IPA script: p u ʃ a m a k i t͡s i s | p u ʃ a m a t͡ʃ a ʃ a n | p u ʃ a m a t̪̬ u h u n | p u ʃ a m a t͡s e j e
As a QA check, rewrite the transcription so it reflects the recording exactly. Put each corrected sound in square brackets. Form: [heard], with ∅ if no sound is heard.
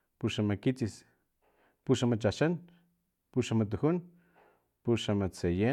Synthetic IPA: p u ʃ a m a k i t͡s i s | p u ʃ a m a t͡ʃ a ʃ a n | p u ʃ a m a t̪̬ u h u n | p u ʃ a m a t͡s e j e

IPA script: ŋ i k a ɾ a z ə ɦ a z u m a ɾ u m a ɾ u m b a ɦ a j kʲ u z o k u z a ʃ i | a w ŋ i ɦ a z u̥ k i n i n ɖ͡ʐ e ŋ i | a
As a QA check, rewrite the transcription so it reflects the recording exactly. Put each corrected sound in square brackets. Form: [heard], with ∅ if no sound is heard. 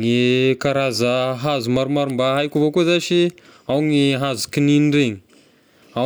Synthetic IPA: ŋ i k a ɾ a z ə ɦ a z u m a ɾ u m a ɾ u m b a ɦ a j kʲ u [v] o k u z a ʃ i | a w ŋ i ɦ a z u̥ k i n i n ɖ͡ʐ e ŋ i | a

